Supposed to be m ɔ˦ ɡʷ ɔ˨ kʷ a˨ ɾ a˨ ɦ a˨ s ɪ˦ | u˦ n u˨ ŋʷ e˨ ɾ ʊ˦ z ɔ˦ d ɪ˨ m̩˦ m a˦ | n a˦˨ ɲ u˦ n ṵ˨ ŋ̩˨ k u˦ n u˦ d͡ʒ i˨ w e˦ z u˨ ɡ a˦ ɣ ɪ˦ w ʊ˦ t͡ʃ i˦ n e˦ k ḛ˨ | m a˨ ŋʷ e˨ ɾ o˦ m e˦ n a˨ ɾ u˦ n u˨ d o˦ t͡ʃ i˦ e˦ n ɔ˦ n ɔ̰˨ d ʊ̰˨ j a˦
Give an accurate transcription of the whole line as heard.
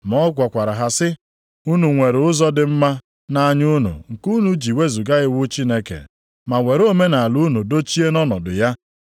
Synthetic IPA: m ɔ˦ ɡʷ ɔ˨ kʷ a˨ ɾ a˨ ɦ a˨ s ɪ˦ | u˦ n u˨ ŋʷ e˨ ɾ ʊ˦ z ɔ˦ d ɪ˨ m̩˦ m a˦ | n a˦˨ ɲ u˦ n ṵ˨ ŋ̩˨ k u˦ n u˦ d͡ʒ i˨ w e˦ z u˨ ɡ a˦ ɣ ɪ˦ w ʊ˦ t͡ʃ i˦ n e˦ k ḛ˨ | m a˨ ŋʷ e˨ ɾ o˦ m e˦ n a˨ l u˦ n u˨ d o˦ t͡ʃ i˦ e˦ n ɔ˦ n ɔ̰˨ d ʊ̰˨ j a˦